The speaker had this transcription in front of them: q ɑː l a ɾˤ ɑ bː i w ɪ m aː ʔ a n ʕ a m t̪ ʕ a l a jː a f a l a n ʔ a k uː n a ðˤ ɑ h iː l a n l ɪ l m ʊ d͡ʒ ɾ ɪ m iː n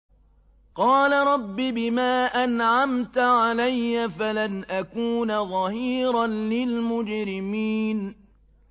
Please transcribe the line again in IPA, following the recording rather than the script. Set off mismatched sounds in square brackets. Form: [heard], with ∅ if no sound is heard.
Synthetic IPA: q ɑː l a ɾˤ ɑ bː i [b] ɪ m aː ʔ a n ʕ a m t̪ ʕ a l a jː a f a l a n ʔ a k uː n a ðˤ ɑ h iː [ɾ] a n l ɪ l m ʊ d͡ʒ ɾ ɪ m iː n